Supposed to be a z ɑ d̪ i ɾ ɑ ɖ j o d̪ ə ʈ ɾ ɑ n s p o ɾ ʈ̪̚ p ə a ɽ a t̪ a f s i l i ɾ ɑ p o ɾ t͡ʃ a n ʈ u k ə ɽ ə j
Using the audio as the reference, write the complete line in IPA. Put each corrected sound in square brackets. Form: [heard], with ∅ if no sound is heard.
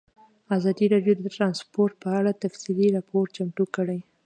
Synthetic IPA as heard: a z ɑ d̪ i ɾ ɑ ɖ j o d̪ ə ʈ ɾ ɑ n s p o ɾ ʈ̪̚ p ə a ɽ a t̪ a f s i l i ɾ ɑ p o ɾ t͡ʃ a [m] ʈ u k ə ɽ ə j

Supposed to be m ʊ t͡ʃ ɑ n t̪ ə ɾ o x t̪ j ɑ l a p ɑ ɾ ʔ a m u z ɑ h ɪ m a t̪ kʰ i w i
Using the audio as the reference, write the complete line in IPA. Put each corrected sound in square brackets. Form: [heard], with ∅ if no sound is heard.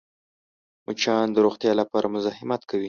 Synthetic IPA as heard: m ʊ t͡ʃ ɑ n [d̪] ə ɾ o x t̪ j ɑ l a p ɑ ɾ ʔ a m [ʊ] z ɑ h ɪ m a t̪ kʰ [a] w i

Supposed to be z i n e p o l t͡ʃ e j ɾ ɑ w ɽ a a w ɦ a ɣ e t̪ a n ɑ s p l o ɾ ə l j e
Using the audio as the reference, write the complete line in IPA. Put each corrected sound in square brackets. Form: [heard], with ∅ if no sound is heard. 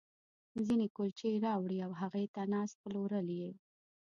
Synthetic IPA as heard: z i n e [k] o l t͡ʃ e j ɾ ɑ w ɽ [i] a w ɦ a ɣ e t̪ a n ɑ s p l o ɾ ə l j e

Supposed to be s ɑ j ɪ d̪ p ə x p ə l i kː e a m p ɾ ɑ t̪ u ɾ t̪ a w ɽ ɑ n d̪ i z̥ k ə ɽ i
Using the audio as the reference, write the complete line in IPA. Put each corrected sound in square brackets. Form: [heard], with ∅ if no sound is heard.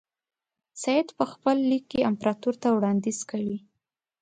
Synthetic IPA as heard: s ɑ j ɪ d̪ p ə x p ə [lː] i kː e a m p ɾ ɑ t̪ u ɾ t̪ a w ɽ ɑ n d̪ i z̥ k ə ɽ i

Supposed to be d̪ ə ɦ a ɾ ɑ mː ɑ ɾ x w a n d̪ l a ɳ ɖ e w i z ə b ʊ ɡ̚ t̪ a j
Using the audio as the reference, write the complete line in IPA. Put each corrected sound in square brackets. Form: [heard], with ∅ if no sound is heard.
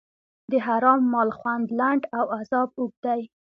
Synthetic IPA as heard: d̪ ə ɦ a ɾ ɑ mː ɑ [l] x w a n d̪ l a ɳ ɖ [a] w [a] z [ɑ] b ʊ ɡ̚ [d̪] a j

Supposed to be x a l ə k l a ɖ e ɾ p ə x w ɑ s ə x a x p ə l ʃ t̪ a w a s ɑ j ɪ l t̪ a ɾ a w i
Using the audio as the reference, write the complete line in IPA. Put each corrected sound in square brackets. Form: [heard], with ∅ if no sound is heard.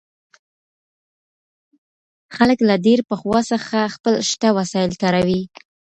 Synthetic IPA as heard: x a l ə k l a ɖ e ɾ p ə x w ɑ s ə x a x p ə l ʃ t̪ a w a s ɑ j ɪ l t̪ a ɾ a w i

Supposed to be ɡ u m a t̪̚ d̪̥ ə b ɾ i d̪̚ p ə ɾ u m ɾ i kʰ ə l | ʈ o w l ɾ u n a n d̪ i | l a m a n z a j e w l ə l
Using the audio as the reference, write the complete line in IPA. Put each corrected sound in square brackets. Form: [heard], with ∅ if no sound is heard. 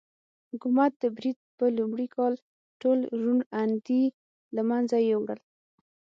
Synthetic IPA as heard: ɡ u m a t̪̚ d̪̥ ə b ɾ i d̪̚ p ə [l] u m [ɽ] i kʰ [ɑ] l | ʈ o [∅] l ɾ u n a n d̪ i | l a m a n z a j e w [ɽ] ə l

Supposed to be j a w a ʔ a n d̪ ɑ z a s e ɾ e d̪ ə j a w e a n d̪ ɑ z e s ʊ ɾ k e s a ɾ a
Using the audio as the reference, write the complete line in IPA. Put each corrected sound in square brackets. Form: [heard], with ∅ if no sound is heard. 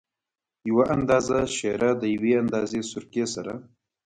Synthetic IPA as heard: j a w a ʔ a n d̪ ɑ z a [ʃ] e ɾ [a] d̪ ə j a w e a n d̪ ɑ z e s ʊ ɾ k e s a ɾ a

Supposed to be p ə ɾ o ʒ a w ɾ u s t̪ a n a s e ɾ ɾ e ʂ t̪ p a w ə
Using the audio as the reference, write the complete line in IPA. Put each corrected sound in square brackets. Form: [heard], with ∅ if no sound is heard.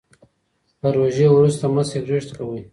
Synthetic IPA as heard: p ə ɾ o ʒ [e] w ɾ u s t̪ a [m] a s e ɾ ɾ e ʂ t̪ [k] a w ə

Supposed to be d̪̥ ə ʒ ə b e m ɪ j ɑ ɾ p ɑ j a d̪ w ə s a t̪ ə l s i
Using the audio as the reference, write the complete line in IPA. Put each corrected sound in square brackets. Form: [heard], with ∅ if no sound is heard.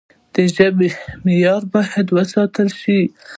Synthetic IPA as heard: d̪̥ ə ʒ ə b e m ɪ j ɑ ɾ [b] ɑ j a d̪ w ə s [ɑ] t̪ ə l [ʃ] i

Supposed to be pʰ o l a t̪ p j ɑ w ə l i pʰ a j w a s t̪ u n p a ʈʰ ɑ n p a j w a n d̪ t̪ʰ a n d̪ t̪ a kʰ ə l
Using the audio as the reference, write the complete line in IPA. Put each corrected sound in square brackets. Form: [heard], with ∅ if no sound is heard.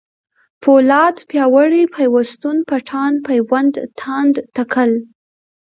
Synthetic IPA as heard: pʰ o l [ɑ] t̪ p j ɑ w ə [ɽ] i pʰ a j w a s t̪ u n p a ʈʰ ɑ n p a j w a n d̪ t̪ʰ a n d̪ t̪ a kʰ ə l

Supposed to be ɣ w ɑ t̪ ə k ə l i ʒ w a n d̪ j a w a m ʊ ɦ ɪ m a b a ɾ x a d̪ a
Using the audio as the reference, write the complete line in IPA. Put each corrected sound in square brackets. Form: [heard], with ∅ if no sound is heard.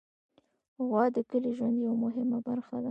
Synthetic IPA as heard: ɣ w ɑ [d̪] ə k ə l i ʒ w a n d̪ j a w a m ʊ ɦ ɪ m a b a ɾ x a d̪ a

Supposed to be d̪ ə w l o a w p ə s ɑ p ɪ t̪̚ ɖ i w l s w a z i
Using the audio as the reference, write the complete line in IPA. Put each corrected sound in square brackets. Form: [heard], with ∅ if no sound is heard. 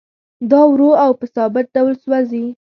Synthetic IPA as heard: d̪ [ɑ] w [ɾ] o a w p ə s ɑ [b] ɪ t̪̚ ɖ [a] w l s w a z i

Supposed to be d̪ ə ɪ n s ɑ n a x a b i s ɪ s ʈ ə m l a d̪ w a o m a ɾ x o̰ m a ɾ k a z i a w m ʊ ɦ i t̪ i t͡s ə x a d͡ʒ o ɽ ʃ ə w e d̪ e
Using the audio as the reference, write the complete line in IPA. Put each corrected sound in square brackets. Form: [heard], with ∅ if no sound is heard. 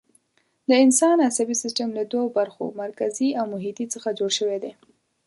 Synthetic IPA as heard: d̪ ə ɪ n s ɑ n a [s] a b i s ɪ s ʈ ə m l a d̪ w a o [b] a ɾ x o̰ m a ɾ k a z i a w m ʊ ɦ i t̪ i t͡s ə x a d͡ʒ o ɽ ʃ ə w e d̪ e

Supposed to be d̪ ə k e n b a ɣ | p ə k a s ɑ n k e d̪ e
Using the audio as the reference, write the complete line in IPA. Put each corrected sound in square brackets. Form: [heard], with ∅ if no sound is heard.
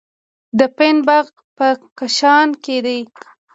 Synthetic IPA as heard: d̪ ə [p] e n b a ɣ | p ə k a [ʃ] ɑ n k e d̪ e

